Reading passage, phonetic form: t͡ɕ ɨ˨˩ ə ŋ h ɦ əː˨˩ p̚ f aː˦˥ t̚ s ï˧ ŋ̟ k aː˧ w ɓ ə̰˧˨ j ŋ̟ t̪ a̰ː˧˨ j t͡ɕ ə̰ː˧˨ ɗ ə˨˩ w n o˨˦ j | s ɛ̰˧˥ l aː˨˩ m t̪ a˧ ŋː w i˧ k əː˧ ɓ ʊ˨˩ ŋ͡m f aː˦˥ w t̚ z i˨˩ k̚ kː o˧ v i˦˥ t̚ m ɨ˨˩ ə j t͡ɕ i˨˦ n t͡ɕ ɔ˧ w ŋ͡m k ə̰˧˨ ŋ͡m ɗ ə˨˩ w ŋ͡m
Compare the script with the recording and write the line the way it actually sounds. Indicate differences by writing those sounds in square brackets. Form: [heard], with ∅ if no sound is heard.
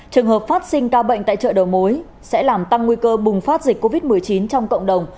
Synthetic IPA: t͡ɕ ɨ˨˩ ə ŋ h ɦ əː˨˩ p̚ f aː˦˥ t̚ s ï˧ ŋ̟ k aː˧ w ɓ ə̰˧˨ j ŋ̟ t̪ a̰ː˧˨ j t͡ɕ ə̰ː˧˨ ɗ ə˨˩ w [m] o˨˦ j | s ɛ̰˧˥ l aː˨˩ m t̪ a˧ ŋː w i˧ k əː˧ ɓ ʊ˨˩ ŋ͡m f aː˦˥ [∅] t̚ z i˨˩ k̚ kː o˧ v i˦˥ t̚ m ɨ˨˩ ə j t͡ɕ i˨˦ n t͡ɕ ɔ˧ w ŋ͡m k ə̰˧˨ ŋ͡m ɗ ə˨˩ w ŋ͡m